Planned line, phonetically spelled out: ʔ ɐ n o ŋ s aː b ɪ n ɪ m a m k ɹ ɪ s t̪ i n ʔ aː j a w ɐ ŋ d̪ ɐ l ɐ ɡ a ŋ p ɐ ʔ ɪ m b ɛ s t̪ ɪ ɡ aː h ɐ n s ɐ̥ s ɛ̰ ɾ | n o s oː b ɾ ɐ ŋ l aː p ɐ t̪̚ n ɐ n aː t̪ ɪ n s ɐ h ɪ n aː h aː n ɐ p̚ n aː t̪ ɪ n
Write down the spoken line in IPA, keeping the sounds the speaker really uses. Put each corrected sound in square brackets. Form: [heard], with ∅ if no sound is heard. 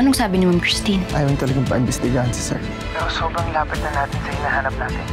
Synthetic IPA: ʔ ɐ n o ŋ s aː b ɪ n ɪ m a m k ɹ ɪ s t̪ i n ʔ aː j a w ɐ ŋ [t̪] ɐ l ɐ ɡ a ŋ p ɐ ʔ ɪ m b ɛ s t̪ ɪ ɡ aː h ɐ n s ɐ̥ s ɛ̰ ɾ | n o s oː b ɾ ɐ ŋ l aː p ɐ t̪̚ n ɐ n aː t̪ ɪ n s ɐ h ɪ n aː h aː n ɐ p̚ n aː t̪ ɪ n